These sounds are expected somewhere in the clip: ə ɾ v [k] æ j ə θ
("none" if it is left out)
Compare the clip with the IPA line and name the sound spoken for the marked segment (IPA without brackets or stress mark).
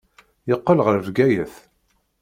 ɡ